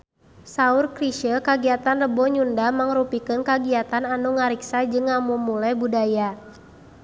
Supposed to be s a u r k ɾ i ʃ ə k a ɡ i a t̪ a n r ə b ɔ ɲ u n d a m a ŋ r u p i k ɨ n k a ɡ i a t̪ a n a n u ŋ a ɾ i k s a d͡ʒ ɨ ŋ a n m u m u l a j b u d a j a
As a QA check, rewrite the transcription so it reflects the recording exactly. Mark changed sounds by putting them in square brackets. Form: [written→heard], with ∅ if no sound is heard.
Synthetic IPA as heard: s a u r k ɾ i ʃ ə k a ɡ i a t̪ a n r ə b ɔ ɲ u n d a m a ŋ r u p i k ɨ n k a ɡ i a t̪ a n a n u ŋ a ɾ i k s a d͡ʒ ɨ ŋ a [n→∅] m u m u l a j b u d a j a